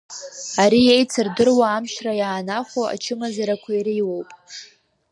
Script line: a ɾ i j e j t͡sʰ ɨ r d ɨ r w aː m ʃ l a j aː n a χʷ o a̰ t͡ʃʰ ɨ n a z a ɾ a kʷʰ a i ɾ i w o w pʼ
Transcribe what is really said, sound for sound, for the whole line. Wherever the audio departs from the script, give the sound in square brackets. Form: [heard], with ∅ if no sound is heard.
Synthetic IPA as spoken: a ɾ i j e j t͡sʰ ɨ r d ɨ r w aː m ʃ [r] a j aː n a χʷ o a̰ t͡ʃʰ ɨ [m] a z a ɾ a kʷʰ a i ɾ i w o w pʼ